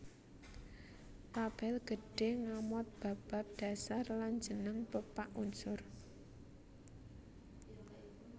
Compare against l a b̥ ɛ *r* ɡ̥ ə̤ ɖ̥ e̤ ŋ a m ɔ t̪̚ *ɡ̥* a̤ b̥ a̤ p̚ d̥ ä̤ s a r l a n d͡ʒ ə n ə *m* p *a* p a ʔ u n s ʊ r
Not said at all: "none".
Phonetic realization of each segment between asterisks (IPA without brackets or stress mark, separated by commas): l, b̥, ŋ, ə